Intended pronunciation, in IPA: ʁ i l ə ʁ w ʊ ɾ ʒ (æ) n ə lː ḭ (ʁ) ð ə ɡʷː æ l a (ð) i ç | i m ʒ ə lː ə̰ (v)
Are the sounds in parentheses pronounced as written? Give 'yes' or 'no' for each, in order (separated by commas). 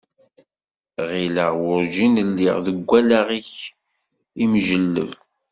no, yes, no, yes